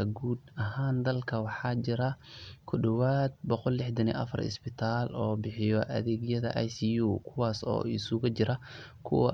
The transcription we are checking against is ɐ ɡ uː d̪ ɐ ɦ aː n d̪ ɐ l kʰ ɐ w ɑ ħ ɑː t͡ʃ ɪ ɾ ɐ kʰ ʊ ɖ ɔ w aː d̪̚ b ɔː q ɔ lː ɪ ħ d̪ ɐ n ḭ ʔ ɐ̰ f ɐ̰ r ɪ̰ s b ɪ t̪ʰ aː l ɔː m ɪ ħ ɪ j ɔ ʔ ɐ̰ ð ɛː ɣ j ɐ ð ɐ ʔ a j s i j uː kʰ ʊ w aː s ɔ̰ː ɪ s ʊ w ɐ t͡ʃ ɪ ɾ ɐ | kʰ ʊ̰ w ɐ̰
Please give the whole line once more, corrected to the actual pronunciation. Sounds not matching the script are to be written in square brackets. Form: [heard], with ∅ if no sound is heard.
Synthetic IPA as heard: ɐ ɡ uː d̪ ɐ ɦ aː n d̪ ɐ l kʰ ɐ w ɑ ħ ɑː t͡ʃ ɪ ɾ ɐ kʰ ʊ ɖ ɔ w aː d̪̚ b [ɔ] q ɔ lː ɪ ħ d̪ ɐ n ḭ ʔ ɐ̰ f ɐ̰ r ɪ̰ s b ɪ t̪ʰ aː l ɔː [b] ɪ ħ ɪ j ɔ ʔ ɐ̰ ð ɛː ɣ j ɐ ð ɐ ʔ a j s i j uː kʰ ʊ w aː s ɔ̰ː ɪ s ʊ [ɣ] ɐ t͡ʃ ɪ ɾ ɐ | kʰ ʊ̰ w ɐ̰